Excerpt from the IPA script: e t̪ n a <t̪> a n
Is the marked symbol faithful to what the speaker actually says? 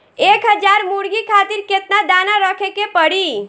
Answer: no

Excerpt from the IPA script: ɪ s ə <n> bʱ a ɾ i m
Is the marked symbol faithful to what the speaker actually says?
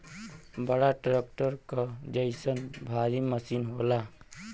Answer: yes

